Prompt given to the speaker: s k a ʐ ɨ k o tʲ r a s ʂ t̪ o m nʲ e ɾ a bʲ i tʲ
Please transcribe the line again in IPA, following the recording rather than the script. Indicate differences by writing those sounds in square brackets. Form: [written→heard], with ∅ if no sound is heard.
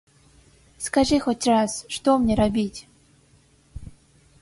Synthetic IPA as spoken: s k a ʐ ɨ [k→x] o tʲ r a s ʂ t̪ o m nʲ e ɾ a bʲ i tʲ